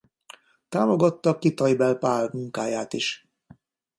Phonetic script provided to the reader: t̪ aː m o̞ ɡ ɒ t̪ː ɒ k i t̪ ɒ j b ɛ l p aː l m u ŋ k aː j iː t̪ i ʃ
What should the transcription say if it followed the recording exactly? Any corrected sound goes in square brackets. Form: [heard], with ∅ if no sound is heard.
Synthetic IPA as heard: t̪ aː m o̞ ɡ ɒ t̪ː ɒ k i t̪ ɒ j b ɛ l p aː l m u ŋ k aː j [aː] t̪ i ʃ